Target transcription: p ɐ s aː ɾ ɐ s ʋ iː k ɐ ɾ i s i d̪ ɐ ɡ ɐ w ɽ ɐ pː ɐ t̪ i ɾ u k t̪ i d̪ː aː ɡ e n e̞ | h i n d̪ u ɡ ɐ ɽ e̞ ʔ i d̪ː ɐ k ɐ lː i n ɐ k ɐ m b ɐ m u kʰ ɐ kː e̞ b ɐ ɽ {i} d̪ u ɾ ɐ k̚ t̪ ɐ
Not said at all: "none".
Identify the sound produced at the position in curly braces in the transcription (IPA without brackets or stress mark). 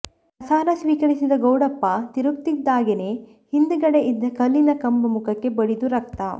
i